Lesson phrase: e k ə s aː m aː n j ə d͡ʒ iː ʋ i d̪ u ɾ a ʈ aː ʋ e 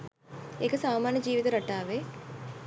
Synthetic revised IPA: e k ə s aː m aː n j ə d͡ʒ iː ʋ i t̪ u ɾ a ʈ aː ʋ e